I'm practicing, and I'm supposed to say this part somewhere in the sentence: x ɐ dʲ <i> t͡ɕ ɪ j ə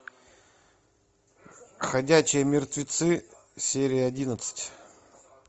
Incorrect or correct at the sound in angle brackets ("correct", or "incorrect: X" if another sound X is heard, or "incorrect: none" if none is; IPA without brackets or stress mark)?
incorrect: æ